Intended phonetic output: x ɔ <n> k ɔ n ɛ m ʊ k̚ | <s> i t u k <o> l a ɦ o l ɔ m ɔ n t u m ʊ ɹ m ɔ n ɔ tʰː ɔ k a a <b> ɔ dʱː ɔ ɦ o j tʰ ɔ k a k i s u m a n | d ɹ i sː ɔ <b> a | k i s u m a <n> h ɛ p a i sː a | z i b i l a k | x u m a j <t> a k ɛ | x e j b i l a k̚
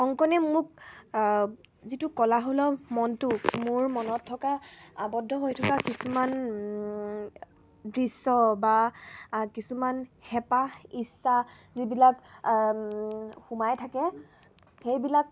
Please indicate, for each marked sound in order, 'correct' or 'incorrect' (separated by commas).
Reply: incorrect, incorrect, incorrect, correct, correct, correct, incorrect